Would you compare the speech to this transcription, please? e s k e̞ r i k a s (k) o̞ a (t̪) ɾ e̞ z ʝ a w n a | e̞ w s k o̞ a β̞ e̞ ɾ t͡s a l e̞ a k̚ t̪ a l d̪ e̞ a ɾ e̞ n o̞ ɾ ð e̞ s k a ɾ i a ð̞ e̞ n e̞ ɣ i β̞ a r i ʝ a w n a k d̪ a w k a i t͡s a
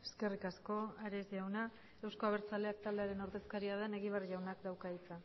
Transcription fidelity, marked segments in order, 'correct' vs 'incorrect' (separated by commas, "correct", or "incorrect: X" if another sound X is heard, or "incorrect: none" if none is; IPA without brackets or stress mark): correct, incorrect: none